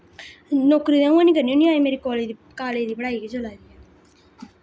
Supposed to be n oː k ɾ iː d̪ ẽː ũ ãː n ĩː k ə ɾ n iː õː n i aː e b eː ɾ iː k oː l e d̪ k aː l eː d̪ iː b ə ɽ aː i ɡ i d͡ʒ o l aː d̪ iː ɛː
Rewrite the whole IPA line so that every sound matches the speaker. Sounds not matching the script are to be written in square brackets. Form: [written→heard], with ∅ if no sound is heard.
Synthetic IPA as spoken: n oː k ɾ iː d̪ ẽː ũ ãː n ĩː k ə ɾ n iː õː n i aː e [b→m] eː ɾ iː k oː l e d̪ k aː l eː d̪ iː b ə ɽ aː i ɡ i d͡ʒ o l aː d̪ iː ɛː